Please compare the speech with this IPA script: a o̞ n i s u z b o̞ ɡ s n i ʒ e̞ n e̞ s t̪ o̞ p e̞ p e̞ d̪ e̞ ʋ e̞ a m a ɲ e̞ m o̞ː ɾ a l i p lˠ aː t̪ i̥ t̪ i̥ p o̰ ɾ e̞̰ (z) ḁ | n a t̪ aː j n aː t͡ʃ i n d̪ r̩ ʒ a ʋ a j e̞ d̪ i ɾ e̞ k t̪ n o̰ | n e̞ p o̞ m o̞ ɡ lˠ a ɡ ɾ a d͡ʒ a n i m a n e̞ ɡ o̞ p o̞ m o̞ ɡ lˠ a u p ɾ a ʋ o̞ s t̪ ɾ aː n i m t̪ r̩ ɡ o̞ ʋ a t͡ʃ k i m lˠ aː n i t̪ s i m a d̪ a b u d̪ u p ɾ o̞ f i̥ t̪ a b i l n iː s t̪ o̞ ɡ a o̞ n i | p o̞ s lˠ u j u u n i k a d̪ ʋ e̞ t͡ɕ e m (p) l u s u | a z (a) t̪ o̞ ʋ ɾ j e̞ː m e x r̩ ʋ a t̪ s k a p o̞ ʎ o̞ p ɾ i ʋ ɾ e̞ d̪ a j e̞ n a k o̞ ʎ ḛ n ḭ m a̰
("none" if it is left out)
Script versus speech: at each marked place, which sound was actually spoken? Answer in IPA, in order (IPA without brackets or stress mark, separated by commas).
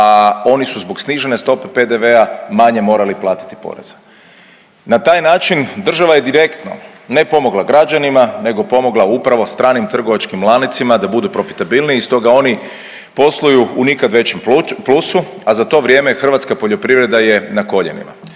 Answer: z, p, a